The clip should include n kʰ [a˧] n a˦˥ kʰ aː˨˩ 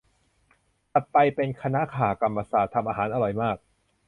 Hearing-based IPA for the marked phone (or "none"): a˧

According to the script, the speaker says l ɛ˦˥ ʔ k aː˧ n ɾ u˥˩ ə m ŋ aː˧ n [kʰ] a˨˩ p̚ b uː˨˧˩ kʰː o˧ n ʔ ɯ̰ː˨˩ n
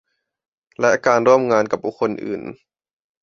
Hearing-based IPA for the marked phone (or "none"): k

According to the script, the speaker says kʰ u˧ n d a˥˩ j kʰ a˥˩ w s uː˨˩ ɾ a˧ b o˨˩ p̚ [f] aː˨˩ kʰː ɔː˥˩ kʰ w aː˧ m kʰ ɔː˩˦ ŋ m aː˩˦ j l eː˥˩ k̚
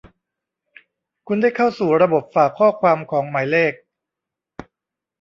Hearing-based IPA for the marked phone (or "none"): f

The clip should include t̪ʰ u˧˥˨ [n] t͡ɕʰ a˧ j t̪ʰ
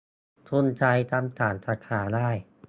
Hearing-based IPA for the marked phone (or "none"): n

